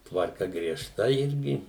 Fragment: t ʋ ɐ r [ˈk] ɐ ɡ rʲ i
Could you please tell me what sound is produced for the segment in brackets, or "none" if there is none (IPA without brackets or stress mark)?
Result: k